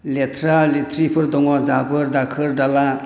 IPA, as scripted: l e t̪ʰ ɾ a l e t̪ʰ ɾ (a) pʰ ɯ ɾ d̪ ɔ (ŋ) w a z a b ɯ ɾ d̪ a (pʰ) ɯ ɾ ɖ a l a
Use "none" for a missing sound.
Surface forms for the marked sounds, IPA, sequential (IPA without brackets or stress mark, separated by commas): i, ŋ, kʰ